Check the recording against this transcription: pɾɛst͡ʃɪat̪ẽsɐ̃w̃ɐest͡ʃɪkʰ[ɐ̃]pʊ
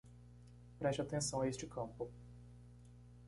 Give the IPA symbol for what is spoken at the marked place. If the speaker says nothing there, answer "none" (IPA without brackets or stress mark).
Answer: ɐ̃